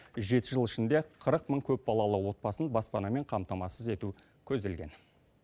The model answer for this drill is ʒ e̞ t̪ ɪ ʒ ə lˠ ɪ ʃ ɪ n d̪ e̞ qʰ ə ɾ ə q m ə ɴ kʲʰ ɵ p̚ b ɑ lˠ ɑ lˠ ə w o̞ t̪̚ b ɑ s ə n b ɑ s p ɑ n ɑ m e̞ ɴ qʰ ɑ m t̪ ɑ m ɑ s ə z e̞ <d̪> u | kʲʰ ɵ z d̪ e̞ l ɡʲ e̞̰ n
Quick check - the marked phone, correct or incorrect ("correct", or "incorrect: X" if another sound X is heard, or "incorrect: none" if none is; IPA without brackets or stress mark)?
incorrect: t̪